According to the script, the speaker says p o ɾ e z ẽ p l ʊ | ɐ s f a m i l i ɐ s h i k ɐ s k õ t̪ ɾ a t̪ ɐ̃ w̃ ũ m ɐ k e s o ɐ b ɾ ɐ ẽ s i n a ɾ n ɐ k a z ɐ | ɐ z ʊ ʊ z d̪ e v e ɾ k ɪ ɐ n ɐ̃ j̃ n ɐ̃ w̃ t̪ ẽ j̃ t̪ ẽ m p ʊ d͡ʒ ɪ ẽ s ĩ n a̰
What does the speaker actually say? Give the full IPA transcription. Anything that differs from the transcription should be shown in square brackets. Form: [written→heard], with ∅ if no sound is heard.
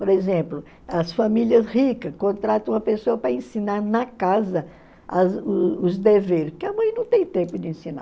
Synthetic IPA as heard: p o ɾ e z ẽ p l ʊ | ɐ s f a m i l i ɐ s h i k ɐ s k õ t̪ ɾ a t̪ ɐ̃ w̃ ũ m ɐ [k→p] e s o ɐ [b→p] ɾ ɐ ẽ s i n a ɾ n ɐ k a z ɐ | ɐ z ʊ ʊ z d̪ e v e ɾ k ɪ ɐ [n→m] ɐ̃ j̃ n ɐ̃ w̃ t̪ ẽ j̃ t̪ ẽ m p ʊ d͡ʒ ɪ ẽ s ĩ n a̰

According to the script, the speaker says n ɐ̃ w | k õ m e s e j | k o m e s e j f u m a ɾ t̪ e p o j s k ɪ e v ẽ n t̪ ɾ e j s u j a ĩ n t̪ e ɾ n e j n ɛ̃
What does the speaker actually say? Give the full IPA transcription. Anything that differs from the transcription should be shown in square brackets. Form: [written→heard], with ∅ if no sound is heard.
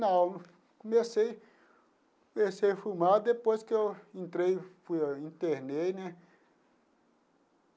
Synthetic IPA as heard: n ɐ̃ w | k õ m e s e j | k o m e s e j f u m a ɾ [t̪→d̪] e p o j s k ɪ e [v→w] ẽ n t̪ ɾ e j [s→f] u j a ĩ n t̪ e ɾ n e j n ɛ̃

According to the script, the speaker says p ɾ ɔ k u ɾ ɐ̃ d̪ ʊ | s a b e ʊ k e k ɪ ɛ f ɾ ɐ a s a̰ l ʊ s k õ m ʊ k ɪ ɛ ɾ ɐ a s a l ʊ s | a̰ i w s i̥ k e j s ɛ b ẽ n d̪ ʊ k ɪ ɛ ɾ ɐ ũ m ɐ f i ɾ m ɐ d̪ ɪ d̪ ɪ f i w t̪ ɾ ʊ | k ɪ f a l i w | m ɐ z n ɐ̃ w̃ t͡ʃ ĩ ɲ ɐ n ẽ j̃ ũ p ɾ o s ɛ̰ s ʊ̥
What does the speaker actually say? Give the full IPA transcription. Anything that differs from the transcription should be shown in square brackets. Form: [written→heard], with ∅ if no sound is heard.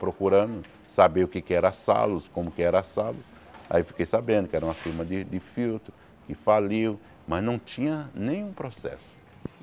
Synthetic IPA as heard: p ɾ [ɔ→o] k u ɾ ɐ̃ d̪ ʊ | s a b e ʊ k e k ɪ ɛ [f→∅] ɾ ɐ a s a̰ l ʊ s k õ m ʊ k ɪ ɛ ɾ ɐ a s a l ʊ s | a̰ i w [s→f] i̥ k e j s [ɛ→a] b ẽ n d̪ ʊ k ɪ ɛ ɾ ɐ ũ m ɐ f i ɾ m ɐ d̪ ɪ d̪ ɪ f i w t̪ ɾ ʊ | k ɪ f a l i w | m ɐ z n ɐ̃ w̃ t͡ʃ ĩ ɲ ɐ n ẽ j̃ ũ p ɾ o s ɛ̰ s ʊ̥

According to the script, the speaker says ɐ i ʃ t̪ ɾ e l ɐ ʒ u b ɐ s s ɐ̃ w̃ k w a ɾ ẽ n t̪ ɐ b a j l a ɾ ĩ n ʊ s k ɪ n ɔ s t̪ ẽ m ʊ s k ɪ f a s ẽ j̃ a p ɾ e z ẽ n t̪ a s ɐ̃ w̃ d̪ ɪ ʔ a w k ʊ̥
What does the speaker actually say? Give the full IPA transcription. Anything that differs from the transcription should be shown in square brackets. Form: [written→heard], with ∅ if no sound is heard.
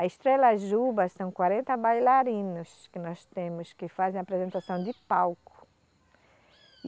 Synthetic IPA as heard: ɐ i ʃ t̪ ɾ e l ɐ ʒ u b ɐ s s ɐ̃ w̃ k w a ɾ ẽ n t̪ ɐ b a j l a ɾ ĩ n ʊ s k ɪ n ɔ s t̪ ẽ m ʊ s k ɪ f a [s→z] ẽ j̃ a p ɾ e z ẽ n t̪ a s ɐ̃ w̃ d̪ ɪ [ʔ→p] a w k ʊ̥

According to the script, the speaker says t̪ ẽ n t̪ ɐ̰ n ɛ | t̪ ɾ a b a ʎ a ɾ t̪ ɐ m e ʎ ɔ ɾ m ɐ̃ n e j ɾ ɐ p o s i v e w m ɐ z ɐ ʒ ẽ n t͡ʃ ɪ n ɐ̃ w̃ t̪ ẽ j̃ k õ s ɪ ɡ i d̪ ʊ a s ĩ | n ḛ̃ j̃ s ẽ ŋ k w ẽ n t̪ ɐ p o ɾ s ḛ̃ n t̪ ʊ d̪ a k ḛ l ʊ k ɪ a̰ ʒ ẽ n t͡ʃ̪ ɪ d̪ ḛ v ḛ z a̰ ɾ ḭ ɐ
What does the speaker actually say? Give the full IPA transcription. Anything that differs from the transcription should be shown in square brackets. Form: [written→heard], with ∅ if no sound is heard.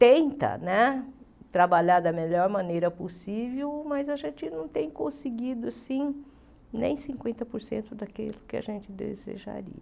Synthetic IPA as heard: t̪ ẽ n t̪ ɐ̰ n ɛ | t̪ ɾ a b a ʎ a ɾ [t̪→d̪] ɐ m e ʎ ɔ ɾ m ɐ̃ n e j ɾ ɐ p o s i v e w m ɐ z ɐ ʒ ẽ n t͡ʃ ɪ n ɐ̃ w̃ t̪ ẽ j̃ k õ s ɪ ɡ i d̪ ʊ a s ĩ | n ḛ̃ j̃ s [ẽ→ĩ] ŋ k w ẽ n t̪ ɐ p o ɾ s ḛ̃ n t̪ ʊ d̪ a k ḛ l ʊ k ɪ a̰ ʒ ẽ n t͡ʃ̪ ɪ d̪ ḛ [v→z] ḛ [z→ʒ] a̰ ɾ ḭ ɐ

